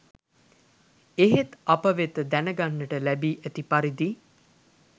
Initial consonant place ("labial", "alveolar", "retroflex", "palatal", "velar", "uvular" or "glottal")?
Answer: glottal